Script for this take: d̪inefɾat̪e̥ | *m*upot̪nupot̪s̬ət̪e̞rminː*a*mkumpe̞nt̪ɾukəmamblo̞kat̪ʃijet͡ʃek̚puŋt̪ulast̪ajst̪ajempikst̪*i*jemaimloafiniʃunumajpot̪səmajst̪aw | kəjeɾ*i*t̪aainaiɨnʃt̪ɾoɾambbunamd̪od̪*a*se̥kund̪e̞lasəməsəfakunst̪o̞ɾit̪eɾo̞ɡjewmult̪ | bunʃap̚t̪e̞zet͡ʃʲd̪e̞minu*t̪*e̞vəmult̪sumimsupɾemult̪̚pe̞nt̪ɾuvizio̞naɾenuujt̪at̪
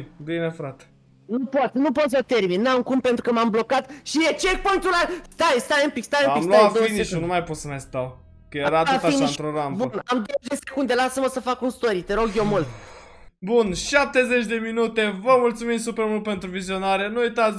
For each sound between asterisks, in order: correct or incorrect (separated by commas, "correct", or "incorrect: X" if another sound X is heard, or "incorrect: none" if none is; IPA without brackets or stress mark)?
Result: incorrect: n, correct, incorrect: a, incorrect: a, incorrect: e, correct